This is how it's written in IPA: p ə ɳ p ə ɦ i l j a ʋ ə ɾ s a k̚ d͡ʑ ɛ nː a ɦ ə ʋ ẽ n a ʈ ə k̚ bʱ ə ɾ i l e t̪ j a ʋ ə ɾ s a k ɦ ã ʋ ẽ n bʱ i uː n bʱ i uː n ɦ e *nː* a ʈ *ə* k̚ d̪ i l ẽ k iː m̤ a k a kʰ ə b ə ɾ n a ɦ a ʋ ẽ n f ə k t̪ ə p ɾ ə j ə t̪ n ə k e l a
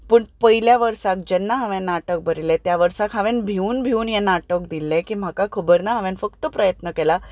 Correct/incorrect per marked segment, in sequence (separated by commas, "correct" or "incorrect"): incorrect, correct